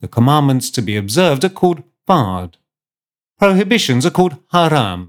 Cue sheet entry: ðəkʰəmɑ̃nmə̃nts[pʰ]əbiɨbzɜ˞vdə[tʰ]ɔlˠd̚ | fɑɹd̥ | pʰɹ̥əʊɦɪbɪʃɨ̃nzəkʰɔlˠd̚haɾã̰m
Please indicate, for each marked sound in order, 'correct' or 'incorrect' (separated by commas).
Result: incorrect, incorrect